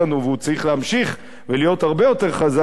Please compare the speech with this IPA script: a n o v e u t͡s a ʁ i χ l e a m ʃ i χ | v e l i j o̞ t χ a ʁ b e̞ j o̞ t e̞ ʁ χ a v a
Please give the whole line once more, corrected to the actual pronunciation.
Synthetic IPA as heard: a n u v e u t͡s a ʁ i χ l e a m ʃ i χ | v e l i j o̞ t h a ʁ b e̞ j o̞ t e̞ ʁ χ a z a